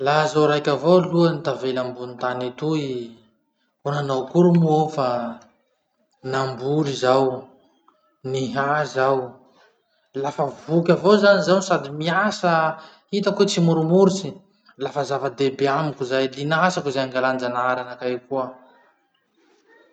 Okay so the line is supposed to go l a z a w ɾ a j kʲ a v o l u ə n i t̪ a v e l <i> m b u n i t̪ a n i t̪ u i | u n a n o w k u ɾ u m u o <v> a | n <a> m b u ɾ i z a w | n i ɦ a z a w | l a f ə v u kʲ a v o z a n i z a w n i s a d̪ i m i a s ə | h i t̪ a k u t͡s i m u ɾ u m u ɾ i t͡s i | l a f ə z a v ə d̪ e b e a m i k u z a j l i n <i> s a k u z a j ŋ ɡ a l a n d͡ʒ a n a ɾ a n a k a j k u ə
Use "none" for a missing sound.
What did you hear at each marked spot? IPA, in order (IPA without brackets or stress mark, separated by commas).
a, f, a, a